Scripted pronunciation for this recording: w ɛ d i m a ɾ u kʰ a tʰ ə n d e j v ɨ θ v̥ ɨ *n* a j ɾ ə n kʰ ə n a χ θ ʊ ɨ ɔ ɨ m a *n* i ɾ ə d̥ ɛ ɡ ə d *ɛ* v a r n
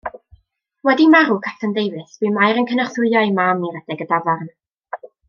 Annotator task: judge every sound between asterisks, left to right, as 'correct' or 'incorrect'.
incorrect: m, incorrect: m, incorrect: a

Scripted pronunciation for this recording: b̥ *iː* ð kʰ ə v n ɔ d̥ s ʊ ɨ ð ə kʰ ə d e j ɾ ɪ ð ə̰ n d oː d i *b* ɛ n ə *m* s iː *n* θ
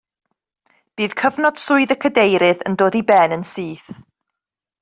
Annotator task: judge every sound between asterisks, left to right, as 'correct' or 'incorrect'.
correct, correct, incorrect: n, incorrect: none

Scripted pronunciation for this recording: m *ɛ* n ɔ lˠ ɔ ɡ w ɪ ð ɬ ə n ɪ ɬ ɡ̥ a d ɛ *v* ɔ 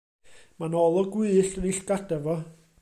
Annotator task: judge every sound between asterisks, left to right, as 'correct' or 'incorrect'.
incorrect: a, correct

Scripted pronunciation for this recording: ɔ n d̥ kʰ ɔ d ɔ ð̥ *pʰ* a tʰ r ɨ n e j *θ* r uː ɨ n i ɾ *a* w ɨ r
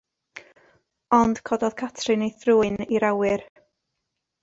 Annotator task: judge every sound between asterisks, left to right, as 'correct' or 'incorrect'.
incorrect: kʰ, correct, correct

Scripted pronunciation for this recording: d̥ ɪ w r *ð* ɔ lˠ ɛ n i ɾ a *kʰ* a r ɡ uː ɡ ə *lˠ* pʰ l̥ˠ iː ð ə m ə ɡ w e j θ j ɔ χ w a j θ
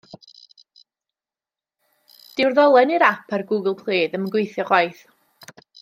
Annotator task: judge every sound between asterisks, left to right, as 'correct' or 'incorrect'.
correct, incorrect: pʰ, correct

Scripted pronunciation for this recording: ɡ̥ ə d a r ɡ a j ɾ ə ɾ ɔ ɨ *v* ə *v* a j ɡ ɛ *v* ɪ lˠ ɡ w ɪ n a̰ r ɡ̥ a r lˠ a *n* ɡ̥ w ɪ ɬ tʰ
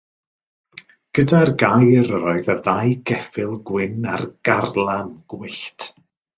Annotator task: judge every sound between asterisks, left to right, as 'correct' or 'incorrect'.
incorrect: ð, incorrect: ð, incorrect: f, correct

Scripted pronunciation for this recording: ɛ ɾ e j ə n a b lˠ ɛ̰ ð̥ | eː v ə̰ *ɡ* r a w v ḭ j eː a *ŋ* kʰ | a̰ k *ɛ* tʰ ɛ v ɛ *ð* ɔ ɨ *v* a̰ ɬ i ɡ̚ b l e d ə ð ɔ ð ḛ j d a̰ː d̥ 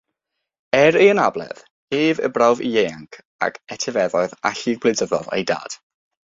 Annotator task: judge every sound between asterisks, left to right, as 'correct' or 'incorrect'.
incorrect: b, correct, correct, correct, incorrect: ð

